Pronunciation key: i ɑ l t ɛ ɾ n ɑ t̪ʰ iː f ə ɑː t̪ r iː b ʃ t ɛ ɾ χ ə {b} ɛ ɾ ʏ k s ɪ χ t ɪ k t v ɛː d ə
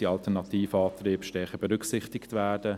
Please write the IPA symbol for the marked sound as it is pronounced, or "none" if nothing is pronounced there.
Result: b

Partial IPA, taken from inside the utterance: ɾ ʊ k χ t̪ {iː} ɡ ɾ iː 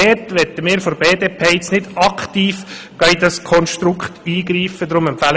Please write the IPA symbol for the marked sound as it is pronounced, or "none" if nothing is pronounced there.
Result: iː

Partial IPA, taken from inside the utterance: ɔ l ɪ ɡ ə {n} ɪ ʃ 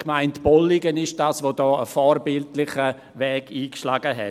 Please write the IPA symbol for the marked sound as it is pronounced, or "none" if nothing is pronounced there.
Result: n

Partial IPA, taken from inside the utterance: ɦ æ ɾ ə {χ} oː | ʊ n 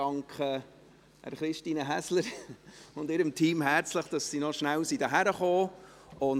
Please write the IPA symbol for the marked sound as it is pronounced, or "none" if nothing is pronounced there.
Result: χ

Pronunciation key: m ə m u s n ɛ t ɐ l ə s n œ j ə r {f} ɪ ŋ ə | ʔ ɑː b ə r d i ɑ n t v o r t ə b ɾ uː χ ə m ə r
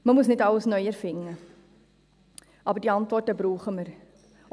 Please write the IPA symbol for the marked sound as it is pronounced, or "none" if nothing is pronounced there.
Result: f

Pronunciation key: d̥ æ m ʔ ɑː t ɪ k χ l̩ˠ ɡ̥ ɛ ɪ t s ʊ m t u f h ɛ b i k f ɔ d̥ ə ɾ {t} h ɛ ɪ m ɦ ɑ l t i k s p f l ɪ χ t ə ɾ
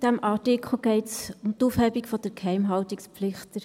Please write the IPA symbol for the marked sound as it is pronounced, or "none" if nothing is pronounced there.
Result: k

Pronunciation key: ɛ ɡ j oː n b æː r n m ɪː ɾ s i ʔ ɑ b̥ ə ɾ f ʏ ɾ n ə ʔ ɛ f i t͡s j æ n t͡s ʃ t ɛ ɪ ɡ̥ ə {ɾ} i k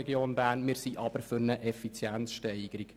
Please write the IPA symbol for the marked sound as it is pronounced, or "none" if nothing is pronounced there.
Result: ɾ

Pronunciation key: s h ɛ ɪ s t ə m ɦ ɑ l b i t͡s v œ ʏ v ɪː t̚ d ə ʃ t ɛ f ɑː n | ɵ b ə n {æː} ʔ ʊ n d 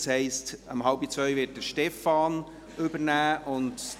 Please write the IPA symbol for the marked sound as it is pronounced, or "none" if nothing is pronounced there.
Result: æː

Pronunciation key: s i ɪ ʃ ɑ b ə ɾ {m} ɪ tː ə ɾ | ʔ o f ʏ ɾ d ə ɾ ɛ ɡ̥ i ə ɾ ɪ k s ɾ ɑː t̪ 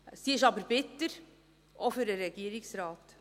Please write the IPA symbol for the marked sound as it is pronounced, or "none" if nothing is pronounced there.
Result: b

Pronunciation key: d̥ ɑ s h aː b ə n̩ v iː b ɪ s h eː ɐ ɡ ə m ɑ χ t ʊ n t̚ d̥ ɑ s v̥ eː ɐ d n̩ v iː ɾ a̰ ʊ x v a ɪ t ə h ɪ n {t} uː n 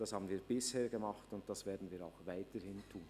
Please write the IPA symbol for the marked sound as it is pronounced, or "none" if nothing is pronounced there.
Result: tʰ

